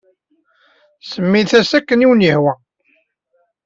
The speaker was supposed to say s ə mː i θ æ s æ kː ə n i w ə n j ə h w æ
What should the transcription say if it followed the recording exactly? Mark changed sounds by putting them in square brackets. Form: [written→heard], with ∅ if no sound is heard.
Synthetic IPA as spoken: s ə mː i θ æ s æ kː ə n i w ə n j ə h w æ